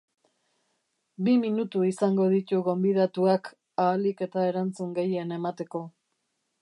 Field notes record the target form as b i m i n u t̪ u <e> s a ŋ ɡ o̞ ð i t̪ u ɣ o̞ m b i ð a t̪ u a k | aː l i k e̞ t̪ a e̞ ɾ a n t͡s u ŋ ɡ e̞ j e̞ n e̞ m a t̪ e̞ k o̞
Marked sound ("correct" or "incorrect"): incorrect